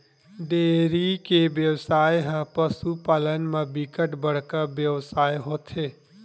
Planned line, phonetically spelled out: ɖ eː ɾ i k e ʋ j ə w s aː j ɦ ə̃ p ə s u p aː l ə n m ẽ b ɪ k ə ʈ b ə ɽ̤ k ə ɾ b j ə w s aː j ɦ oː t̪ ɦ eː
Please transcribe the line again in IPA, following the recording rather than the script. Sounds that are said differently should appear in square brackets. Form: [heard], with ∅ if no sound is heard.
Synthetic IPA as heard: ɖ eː ɾ i k e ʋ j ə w s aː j ɦ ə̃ p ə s u p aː l ə n m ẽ b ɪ k ə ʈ b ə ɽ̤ k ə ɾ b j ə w s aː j ɦ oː t̪ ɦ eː